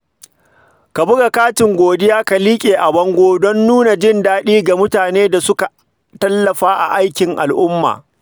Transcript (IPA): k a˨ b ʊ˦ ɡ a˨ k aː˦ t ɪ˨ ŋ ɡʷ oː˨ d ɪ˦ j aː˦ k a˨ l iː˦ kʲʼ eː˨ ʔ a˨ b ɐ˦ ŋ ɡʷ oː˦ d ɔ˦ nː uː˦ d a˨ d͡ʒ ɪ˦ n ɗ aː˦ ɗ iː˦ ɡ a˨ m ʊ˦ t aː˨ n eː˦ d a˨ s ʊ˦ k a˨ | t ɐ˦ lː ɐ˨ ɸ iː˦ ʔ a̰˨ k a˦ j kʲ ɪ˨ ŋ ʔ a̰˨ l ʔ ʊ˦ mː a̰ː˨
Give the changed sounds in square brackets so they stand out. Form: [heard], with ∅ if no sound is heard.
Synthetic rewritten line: k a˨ b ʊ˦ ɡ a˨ k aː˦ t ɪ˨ ŋ ɡʷ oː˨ d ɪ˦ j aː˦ k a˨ l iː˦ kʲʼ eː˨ ʔ a˨ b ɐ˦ ŋ ɡʷ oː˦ d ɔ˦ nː uː˦ [n] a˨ d͡ʒ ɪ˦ n [d] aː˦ ɗ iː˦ ɡ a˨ m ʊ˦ t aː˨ n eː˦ d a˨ s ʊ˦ k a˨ | t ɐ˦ lː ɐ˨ ɸ [aː˦] ʔ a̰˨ [ʔ] a˦ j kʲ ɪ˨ ŋ ʔ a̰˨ l ʔ ʊ˦ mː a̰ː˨

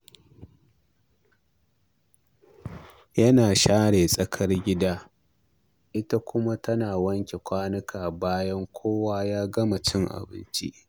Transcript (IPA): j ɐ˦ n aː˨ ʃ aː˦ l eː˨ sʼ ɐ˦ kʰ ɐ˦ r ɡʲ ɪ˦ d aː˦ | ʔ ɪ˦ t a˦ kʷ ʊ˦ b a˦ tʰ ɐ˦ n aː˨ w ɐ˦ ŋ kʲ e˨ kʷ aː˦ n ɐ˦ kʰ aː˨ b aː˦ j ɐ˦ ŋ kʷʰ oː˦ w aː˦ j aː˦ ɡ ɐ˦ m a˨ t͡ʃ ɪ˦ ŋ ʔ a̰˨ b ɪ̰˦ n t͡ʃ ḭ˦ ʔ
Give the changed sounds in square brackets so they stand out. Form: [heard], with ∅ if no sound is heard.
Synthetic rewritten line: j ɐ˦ n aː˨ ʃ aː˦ [ɽ] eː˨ sʼ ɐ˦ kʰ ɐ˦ r ɡʲ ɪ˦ d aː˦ | ʔ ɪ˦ t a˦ kʷ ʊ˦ [m] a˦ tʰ ɐ˦ n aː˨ w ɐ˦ ŋ kʲ e˨ kʷ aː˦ n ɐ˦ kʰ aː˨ b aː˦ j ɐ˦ ŋ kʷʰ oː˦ w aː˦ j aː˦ ɡ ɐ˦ m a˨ t͡ʃ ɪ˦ ŋ ʔ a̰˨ b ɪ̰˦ n t͡ʃ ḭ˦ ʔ

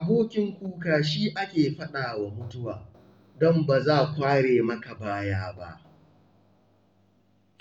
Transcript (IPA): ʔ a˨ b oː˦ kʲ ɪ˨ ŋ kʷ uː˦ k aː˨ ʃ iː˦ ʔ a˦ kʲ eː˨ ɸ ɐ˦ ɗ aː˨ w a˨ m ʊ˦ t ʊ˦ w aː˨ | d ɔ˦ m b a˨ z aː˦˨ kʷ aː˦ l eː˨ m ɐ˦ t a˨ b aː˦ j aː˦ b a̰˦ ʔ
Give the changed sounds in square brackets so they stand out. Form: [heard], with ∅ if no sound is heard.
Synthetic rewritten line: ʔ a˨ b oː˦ kʲ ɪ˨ ŋ kʷ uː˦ k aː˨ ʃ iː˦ ʔ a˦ kʲ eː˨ ɸ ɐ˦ ɗ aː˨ w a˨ m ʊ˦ t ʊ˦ w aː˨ | d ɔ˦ m b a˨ z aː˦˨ kʷ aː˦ [ɽ] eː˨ m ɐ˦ [k] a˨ b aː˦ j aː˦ b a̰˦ ʔ

